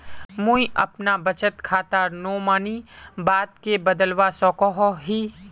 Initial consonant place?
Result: labial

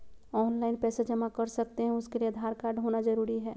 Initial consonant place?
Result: alveolar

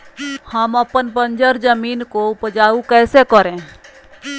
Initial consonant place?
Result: glottal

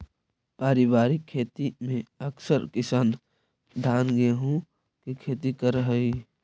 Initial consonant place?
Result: labial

